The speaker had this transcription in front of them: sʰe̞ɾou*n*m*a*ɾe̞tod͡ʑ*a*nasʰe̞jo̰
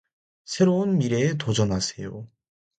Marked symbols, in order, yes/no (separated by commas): yes, no, no